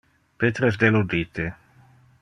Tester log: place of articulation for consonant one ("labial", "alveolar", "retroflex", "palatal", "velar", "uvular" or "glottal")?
labial